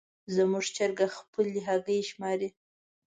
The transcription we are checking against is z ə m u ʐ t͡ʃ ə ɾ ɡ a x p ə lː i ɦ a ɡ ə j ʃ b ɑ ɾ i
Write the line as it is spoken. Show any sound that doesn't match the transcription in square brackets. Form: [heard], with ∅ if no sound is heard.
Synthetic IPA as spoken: z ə m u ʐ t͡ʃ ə ɾ ɡ a x p ə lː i ɦ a ɡ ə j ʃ [m] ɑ ɾ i